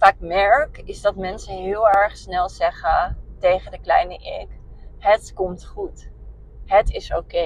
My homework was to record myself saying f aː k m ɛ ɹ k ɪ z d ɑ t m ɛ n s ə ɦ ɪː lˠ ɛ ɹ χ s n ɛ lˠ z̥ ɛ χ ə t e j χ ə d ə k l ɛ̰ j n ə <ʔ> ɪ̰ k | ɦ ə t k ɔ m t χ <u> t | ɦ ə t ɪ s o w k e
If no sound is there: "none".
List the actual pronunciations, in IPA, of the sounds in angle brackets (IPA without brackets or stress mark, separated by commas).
ʔ, u